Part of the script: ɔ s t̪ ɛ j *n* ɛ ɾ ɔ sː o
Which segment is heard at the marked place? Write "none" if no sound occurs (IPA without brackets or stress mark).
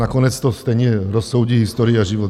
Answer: ɲ